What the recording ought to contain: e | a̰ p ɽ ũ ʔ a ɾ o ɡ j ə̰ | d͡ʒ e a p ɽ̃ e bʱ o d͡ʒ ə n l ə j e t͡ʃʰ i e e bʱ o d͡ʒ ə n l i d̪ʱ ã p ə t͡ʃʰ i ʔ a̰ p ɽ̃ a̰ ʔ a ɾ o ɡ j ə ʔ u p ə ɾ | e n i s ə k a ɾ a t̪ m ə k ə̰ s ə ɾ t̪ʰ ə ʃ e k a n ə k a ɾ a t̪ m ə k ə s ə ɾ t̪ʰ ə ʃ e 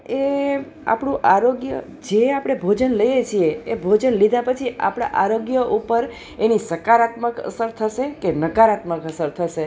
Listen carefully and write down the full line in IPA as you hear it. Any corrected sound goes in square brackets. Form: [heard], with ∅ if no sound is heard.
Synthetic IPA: e | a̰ p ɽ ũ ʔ a ɾ o ɡ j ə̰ | d͡ʒ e a p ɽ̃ e bʱ o d͡ʒ ə n l ə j e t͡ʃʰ i e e bʱ o d͡ʒ ə n l i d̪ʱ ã p ə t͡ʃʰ i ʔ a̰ p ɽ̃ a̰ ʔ a ɾ o ɡ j ə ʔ u p ə ɾ | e n i s ə k a ɾ a t̪ m ə k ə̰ s ə ɾ t̪ʰ ə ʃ e k [e] n ə k a ɾ a t̪ m ə k ə s ə ɾ t̪ʰ ə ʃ e

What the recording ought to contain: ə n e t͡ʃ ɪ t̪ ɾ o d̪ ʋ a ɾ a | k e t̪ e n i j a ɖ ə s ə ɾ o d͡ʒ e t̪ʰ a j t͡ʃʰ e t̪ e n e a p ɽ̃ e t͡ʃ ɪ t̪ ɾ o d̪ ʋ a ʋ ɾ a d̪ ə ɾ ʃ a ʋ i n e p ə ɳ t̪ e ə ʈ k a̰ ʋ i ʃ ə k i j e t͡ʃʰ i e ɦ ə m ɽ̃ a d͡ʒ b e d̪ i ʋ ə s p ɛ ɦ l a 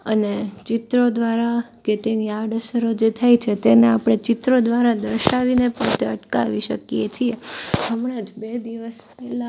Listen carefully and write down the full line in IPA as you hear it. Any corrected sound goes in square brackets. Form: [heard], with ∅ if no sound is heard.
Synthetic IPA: ə n e t͡ʃ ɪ t̪ ɾ o d̪ ʋ a ɾ a | k e t̪ e n i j a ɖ ə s ə ɾ o d͡ʒ e t̪ʰ a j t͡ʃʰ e t̪ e n e a p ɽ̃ e t͡ʃ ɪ t̪ ɾ o d̪ ʋ a [∅] ɾ a d̪ ə ɾ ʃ a ʋ i n e p ə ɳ t̪ e ə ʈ k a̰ ʋ i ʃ ə k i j e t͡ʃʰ i e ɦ ə m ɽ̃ a d͡ʒ b e d̪ i ʋ ə s p ɛ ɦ l a

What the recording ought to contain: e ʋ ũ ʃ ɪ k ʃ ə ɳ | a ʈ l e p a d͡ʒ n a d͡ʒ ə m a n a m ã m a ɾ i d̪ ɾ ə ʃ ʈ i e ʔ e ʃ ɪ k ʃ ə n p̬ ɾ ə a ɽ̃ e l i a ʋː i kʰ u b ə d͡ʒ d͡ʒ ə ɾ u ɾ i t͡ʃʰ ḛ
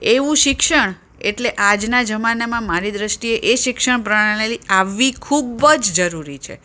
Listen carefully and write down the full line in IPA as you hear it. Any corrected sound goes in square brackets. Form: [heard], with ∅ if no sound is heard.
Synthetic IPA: e ʋ ũ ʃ ɪ k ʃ ə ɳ | [e] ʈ l e [ʔ] a d͡ʒ n a d͡ʒ ə m a n a m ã m a ɾ i d̪ ɾ ə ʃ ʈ i e ʔ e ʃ ɪ k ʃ ə [ɳ] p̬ ɾ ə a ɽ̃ e l i a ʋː i kʰ u b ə d͡ʒ d͡ʒ ə ɾ u ɾ i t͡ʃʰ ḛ

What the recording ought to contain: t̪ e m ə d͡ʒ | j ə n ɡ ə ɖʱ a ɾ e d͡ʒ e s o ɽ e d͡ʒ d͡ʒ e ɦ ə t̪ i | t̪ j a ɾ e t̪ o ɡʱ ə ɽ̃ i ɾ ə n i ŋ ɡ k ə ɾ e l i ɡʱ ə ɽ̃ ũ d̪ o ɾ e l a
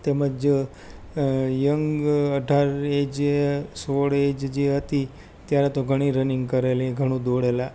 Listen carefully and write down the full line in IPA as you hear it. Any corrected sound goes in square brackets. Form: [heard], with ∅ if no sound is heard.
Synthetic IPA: t̪ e m ə d͡ʒ | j ə [ŋ] ɡ ə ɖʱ a ɾ e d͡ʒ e s o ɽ e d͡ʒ d͡ʒ e ɦ ə t̪ i | t̪ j a ɾ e t̪ o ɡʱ ə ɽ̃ i ɾ ə n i ŋ ɡ k ə ɾ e l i ɡʱ ə ɽ̃ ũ d̪ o [ɽ] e l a

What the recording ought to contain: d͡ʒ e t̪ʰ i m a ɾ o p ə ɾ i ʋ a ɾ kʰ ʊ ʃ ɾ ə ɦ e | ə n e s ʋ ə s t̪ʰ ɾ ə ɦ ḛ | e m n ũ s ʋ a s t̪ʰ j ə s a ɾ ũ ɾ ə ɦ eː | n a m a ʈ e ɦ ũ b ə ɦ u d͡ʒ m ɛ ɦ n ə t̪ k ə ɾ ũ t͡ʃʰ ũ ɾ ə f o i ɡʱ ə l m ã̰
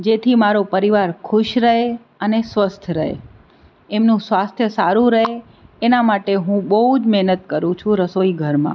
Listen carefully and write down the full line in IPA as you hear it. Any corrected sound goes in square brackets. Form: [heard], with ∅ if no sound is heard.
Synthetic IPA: d͡ʒ e t̪ʰ i m a ɾ o p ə ɾ i ʋ a ɾ kʰ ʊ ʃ ɾ ə ɦ e | ə n e s ʋ ə s t̪ʰ ɾ ə ɦ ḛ | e m n ũ s ʋ a s t̪ʰ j ə s a ɾ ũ ɾ ə ɦ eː | n a m a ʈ e ɦ ũ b ə ɦ u d͡ʒ m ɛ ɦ n ə t̪ k ə ɾ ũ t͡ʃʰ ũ ɾ ə [s] o i ɡʱ ə [ɾ] m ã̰

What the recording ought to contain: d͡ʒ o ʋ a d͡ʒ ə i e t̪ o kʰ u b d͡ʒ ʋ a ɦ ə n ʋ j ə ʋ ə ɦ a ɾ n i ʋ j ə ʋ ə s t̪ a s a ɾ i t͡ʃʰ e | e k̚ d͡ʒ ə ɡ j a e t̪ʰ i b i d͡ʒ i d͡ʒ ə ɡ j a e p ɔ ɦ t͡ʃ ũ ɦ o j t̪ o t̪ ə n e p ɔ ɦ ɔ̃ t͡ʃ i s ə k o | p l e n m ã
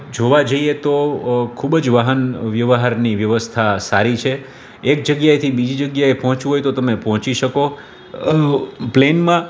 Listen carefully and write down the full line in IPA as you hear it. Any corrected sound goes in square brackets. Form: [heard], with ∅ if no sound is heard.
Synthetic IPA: d͡ʒ o ʋ a d͡ʒ ə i e t̪ o kʰ u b d͡ʒ ʋ a ɦ ə n ʋ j ə ʋ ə ɦ a ɾ n i ʋ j ə ʋ ə s [t̪ʰ] a s a ɾ i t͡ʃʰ e | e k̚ d͡ʒ ə ɡ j a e t̪ʰ i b i d͡ʒ i d͡ʒ ə ɡ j a e p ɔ ɦ t͡ʃ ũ ɦ o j t̪ o t̪ ə [m] e p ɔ ɦ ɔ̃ t͡ʃ i [ʃ] ə k o | p l e n m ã

